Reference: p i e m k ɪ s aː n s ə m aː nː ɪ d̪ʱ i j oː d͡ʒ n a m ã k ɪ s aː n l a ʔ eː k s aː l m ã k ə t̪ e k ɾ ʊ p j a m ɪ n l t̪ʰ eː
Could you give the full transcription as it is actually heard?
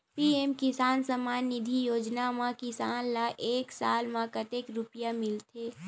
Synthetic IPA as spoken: p i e m k ɪ s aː n s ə m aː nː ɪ d̪ʱ i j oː d͡ʒ n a m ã k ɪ s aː n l a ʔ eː k s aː l m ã k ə t̪ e k ɾ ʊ p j a m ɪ l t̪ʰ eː